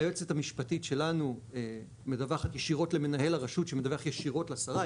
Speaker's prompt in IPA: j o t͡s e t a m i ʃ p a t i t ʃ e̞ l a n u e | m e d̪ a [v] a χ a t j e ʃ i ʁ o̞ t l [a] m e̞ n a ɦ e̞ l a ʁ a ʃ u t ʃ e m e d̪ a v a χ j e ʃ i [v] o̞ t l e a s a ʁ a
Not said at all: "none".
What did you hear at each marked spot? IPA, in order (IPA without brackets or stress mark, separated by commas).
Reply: v, e, ʁ